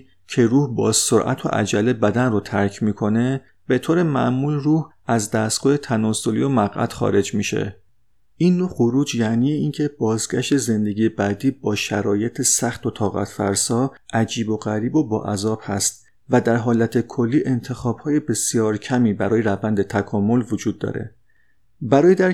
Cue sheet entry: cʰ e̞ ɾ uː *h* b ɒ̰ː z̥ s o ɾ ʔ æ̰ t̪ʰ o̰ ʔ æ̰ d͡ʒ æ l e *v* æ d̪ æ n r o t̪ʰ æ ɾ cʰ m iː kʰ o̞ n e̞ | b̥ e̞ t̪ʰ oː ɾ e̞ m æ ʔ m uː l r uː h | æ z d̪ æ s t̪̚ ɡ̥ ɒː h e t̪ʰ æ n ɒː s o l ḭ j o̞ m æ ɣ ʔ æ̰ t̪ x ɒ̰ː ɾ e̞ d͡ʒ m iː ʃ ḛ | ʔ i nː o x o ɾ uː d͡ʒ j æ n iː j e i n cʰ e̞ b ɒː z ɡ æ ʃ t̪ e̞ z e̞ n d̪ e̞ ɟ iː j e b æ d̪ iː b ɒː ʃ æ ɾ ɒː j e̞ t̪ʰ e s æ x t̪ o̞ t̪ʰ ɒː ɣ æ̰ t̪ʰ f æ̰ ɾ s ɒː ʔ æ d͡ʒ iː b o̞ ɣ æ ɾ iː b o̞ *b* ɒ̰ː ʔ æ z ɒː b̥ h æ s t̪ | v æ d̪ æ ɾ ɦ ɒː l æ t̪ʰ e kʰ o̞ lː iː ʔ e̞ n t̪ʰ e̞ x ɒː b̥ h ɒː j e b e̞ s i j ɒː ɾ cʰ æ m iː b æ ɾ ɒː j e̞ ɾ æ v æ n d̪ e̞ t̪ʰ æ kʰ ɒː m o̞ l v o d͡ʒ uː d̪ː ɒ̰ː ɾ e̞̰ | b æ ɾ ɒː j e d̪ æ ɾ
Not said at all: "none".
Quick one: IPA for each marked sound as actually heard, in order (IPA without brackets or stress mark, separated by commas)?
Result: h, b, b